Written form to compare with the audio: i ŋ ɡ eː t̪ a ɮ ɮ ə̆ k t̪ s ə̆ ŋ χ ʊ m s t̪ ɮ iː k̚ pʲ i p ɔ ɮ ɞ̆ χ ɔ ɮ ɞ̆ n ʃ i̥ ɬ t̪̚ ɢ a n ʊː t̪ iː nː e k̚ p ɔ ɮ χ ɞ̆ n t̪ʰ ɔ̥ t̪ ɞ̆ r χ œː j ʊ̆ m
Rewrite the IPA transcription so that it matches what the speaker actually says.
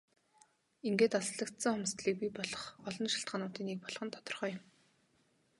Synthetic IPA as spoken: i ŋ ɡ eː t̪ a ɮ ɮ ə̆ k t̪ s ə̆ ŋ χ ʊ m s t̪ ɮ iː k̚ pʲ i p ɔ ɮ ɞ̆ χ ɔ ɮ ɞ̆ n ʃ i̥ ɬ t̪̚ ɢ a n ʊː t̪ iː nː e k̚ p ɔ ɮ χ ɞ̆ n t̪ʰ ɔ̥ t̪ ɞ̆ r χ œː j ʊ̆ m